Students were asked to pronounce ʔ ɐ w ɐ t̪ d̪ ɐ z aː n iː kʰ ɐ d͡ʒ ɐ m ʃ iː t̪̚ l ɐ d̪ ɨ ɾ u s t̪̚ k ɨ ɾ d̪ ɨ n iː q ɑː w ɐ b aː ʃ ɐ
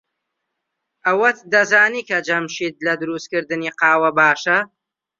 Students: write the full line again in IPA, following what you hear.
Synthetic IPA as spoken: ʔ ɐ w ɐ t̪ d̪ ɐ z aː n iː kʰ ɐ d͡ʒ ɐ m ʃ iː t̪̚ l ɐ d̪ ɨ ɾ u s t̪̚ k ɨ ɾ d̪ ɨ n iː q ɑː w ɐ b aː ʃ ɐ